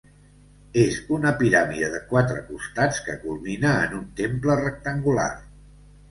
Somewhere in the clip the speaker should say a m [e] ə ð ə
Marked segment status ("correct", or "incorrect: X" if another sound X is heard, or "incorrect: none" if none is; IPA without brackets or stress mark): incorrect: i